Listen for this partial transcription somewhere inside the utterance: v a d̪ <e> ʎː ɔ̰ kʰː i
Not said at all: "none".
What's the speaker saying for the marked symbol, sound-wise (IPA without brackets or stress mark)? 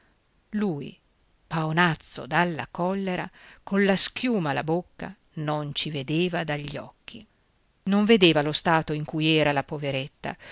a